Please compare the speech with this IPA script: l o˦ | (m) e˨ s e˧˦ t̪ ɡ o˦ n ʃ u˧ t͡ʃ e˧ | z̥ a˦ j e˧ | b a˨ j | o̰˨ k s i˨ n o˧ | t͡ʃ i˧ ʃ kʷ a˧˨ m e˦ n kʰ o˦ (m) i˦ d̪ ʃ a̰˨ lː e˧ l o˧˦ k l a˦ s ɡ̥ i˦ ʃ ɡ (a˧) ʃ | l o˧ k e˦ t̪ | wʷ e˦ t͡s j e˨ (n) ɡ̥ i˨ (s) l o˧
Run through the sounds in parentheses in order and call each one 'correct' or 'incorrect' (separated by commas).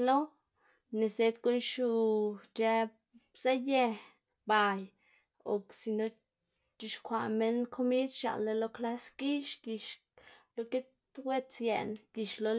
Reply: incorrect, correct, incorrect, correct, incorrect